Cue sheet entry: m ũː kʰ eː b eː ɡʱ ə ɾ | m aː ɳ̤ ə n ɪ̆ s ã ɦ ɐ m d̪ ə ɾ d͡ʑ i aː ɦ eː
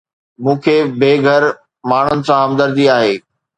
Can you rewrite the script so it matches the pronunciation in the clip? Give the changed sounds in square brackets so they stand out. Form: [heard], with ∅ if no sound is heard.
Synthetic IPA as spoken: m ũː kʰ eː b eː ɡʱ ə ɾ | m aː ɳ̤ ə n ɪ̆ s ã ɦ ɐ m d̪ ə ɾ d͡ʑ i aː ɦ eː